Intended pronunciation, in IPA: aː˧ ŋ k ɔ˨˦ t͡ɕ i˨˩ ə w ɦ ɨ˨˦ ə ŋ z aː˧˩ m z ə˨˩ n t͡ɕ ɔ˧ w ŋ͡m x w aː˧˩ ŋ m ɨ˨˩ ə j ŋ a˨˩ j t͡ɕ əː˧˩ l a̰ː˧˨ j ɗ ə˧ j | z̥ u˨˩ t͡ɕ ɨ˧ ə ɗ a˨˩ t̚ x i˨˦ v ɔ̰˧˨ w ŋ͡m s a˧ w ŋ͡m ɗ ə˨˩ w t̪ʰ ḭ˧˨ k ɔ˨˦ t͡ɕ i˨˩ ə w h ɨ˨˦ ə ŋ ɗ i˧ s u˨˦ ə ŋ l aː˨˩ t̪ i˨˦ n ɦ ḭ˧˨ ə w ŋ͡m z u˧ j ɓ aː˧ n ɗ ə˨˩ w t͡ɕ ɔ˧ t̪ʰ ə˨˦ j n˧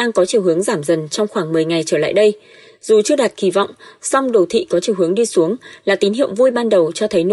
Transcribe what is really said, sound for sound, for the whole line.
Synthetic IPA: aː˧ ŋ k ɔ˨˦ t͡ɕ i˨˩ ə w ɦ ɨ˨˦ ə ŋ z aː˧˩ m z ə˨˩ n t͡ɕ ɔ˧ w ŋ͡m x w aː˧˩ ŋ m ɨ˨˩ ə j ŋ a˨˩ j t͡ɕ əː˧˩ l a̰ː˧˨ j ɗ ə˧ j | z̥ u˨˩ t͡ɕ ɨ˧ ə ɗ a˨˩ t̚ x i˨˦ v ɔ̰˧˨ w ŋ͡m s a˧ w ŋ͡m ɗ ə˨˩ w t̪ʰ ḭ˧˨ k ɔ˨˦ t͡ɕ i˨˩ ə w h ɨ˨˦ ə ŋ ɗ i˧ s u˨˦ ə ŋ l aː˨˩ t̪ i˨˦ n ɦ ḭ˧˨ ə w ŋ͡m v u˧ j ɓ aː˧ n ɗ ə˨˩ w t͡ɕ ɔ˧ t̪ʰ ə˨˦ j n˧